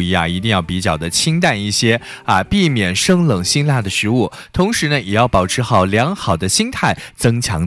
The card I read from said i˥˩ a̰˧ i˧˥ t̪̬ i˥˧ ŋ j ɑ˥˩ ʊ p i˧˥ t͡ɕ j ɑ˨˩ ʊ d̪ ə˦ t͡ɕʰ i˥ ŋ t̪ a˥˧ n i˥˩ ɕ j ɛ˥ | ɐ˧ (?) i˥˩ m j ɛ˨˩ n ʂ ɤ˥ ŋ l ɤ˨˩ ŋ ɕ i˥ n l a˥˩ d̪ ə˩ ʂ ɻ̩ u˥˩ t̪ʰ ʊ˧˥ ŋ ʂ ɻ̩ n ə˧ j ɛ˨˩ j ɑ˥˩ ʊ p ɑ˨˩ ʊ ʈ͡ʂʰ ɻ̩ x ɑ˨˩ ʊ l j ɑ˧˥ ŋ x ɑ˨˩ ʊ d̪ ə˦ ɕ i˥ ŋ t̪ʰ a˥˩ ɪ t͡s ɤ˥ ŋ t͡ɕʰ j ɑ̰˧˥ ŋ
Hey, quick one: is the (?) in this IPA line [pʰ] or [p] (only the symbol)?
p